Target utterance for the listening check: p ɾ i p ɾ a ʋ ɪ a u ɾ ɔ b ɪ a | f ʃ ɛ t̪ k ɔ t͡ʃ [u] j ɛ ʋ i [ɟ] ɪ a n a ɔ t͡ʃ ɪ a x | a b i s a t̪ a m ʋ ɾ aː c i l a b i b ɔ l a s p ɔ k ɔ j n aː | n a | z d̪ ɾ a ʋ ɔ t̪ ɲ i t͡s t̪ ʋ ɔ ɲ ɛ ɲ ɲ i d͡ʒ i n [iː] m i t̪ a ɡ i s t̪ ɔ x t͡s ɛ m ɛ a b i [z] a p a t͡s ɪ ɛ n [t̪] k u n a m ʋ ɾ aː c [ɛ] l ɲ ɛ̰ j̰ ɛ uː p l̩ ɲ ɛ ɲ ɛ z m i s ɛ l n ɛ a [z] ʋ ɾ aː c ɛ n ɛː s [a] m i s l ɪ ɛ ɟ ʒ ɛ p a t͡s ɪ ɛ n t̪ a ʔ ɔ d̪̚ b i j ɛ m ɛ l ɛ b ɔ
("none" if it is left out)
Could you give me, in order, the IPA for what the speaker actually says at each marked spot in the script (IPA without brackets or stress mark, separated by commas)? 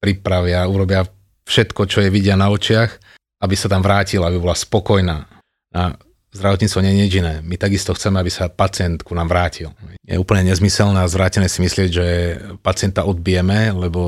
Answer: ɔ, ɟ, ɛː, s, t̪, i, z, i